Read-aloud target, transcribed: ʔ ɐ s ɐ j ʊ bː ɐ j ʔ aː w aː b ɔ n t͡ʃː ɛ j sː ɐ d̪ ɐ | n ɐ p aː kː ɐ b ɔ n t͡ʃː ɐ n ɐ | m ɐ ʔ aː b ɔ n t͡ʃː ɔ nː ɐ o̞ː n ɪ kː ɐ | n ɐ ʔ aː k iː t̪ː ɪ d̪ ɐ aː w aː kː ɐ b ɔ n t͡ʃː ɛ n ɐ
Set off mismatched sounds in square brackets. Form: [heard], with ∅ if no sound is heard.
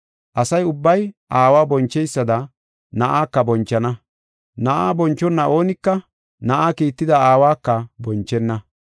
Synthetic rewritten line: ʔ ɐ s ɐ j ʊ bː ɐ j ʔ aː w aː b ɔ n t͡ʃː ɛ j sː ɐ d̪ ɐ | n ɐ [ʔ] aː kː ɐ b ɔ n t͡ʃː ɐ n ɐ | [n] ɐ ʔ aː b ɔ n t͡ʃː ɔ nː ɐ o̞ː n ɪ kː ɐ | n ɐ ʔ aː k iː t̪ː ɪ d̪ ɐ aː w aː kː ɐ b ɔ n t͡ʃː ɛ [nː] ɐ